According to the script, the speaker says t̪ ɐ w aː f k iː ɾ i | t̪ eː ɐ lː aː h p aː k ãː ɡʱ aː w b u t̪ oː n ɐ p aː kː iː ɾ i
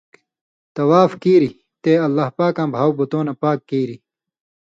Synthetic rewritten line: t̪ ɐ w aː f k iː ɾ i | t̪ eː ɐ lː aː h p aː k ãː bʱ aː w b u t̪ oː n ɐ p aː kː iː ɾ i